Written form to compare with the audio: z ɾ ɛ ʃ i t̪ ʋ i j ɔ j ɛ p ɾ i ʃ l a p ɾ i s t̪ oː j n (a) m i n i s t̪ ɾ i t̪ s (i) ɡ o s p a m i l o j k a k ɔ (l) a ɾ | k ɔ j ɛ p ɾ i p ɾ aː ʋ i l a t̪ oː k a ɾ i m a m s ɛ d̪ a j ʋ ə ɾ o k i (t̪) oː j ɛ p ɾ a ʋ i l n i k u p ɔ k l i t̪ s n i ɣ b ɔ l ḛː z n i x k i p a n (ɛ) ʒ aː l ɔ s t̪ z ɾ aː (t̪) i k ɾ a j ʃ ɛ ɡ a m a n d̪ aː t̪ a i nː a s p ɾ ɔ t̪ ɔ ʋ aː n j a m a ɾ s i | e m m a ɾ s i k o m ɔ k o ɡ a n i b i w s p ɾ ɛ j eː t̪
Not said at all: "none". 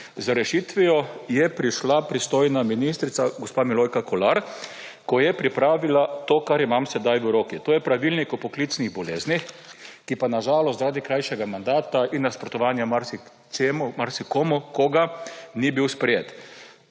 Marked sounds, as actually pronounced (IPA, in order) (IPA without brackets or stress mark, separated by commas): a, a, l, t̪, a, d̪